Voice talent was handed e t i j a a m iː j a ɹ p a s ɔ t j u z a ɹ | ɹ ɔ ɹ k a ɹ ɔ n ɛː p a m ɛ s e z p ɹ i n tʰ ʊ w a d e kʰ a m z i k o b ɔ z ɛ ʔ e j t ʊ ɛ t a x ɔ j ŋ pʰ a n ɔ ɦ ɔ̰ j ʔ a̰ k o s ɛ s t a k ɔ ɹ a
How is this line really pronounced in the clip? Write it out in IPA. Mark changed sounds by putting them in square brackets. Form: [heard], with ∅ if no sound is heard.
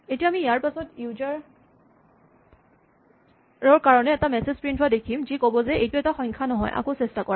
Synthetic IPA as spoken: e t i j a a m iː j a ɹ p a s ɔ t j u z a ɹ | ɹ ɔ ɹ k a ɹ ɔ n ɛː [t] a m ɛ s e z p ɹ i n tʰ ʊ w a d e kʰ [i] m z i k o b ɔ z ɛ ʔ e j t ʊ ɛ t a x ɔ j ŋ [kʰ] a n ɔ ɦ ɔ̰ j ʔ a̰ k o s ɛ s t a k ɔ ɹ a